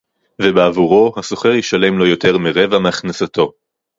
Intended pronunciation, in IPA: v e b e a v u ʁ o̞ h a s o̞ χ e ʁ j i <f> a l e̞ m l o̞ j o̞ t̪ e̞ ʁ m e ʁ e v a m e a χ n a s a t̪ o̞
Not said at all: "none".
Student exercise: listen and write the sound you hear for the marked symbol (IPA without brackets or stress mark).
ʃ